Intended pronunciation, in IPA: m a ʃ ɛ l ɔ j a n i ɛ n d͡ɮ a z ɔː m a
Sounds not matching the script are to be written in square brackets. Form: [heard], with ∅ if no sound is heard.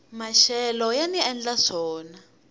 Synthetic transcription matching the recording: m a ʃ ɛ l ɔ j a n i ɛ n d͡ɮ a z ɔː [n] a